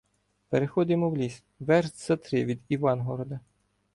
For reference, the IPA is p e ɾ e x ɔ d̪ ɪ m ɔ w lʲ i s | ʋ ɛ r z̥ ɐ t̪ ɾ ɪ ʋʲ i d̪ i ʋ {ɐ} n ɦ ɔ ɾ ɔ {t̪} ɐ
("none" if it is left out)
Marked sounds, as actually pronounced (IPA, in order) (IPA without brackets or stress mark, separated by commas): ɑ, d̪